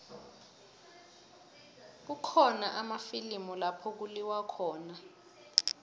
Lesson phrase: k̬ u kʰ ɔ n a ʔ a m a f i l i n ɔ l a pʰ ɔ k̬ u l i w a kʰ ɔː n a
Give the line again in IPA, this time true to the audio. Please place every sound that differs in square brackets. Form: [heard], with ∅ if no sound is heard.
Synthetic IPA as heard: k̬ u kʰ ɔ n a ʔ a m a f i l i [m] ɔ l a pʰ ɔ k̬ u l i w a kʰ ɔː n a